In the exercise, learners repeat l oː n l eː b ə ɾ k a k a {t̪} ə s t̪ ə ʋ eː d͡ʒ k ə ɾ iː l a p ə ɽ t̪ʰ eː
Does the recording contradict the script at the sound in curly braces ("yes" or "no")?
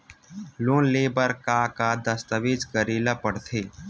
yes